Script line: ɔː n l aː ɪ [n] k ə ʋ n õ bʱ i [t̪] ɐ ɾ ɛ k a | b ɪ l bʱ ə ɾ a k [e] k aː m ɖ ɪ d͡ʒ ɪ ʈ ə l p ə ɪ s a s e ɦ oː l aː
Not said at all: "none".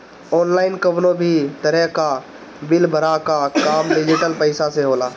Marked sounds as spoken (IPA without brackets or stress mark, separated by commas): n, t̪, a